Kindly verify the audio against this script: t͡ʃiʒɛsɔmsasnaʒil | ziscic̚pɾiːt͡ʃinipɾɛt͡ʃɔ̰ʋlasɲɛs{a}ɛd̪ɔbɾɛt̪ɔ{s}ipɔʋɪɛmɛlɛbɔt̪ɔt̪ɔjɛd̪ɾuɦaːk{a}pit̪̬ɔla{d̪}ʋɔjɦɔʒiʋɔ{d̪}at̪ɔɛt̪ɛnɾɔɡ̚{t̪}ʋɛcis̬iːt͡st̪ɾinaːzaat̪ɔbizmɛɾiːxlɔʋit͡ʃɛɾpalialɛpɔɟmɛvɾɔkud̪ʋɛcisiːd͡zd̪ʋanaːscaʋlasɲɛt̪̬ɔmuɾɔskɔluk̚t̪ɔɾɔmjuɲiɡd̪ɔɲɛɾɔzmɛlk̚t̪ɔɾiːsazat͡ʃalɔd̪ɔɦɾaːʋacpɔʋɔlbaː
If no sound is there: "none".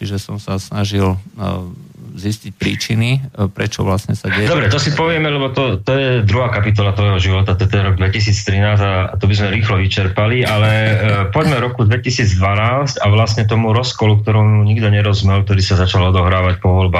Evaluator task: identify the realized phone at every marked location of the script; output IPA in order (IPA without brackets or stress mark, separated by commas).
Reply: a, s, a, t̪, t̪, d̪